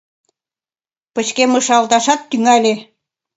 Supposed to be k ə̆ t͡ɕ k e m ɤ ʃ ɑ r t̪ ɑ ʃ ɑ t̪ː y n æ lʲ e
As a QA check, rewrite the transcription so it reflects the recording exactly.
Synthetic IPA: p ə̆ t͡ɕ k e m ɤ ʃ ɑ l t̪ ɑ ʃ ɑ t̪ː y ŋ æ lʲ e